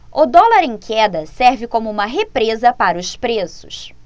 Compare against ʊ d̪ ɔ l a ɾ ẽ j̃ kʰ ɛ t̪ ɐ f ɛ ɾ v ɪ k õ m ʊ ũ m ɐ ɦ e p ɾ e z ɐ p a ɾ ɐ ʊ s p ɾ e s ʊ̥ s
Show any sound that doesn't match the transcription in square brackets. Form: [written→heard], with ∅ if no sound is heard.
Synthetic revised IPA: ʊ d̪ ɔ l a ɾ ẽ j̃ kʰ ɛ [t̪→d̪] ɐ [f→s] ɛ ɾ v ɪ k õ m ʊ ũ m ɐ ɦ e p ɾ e z ɐ p a ɾ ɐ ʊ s p ɾ e s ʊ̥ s